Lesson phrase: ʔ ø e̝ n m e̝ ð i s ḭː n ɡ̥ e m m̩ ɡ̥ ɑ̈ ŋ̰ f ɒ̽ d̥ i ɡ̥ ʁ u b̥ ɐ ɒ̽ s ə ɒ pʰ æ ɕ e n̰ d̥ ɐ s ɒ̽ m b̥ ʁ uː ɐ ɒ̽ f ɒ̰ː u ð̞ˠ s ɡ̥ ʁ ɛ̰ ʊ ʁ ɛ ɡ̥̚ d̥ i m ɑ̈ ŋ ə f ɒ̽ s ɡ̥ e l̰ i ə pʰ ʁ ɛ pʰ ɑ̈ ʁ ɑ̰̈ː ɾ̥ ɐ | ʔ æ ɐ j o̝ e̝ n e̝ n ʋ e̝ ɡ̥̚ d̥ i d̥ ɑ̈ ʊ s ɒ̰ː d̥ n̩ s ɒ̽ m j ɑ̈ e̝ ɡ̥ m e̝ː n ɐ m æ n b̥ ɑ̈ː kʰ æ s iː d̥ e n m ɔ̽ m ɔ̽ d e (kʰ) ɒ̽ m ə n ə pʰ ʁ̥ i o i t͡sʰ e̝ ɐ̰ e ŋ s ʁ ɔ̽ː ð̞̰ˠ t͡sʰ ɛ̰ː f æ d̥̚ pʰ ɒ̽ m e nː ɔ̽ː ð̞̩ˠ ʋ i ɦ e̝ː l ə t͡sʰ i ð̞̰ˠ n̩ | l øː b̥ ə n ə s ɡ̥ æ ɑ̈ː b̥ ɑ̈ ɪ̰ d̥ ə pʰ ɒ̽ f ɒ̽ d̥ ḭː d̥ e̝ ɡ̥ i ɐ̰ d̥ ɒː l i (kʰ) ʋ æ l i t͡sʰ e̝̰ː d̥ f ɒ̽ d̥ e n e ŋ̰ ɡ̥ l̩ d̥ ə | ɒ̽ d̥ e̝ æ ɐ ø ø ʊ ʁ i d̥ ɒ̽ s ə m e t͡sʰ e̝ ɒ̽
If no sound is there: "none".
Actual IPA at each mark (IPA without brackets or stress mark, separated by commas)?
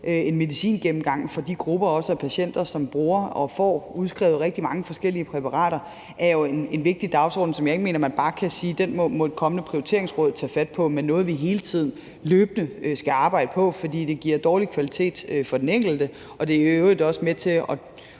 kʰ, kʰ